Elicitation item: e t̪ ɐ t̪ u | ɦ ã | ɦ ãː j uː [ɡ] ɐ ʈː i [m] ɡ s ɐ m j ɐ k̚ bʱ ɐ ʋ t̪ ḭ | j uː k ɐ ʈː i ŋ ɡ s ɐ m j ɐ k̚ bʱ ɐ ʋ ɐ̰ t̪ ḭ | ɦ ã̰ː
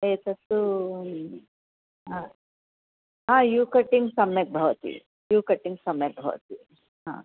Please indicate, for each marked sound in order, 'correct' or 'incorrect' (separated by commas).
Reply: incorrect, incorrect